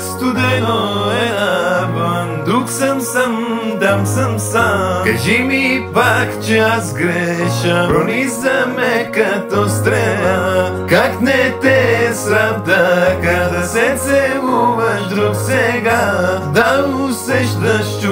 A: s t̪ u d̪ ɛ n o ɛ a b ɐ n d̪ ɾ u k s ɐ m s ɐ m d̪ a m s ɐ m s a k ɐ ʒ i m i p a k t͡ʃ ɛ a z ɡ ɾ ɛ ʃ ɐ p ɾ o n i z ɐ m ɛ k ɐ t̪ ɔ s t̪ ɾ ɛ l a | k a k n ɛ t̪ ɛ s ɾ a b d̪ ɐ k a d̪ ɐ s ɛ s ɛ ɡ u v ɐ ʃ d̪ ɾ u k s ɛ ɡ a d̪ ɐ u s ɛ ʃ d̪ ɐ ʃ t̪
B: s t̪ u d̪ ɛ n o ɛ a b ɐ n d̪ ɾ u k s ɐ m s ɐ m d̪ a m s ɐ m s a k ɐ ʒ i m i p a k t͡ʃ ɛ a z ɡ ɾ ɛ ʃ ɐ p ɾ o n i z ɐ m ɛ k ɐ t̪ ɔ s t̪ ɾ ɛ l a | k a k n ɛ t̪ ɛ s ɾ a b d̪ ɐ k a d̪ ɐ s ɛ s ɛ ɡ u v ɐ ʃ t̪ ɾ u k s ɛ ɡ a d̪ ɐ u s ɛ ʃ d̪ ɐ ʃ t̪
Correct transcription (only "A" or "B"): A